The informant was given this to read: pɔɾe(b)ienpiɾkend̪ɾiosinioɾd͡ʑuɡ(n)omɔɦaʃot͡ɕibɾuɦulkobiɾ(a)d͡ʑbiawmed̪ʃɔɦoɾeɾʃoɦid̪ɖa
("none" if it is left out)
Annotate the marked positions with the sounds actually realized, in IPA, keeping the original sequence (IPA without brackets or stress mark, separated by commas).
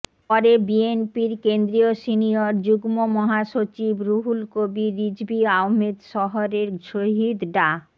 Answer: b, m, i